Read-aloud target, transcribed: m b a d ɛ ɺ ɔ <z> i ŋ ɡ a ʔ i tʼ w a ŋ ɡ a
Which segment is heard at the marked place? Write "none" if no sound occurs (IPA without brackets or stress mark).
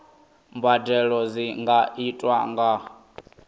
z